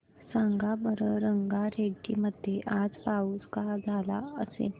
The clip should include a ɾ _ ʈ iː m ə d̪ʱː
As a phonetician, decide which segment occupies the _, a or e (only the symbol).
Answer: e